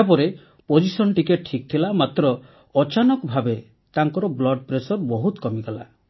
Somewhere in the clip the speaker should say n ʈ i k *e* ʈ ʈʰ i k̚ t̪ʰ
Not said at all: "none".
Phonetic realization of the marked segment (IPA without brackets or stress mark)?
e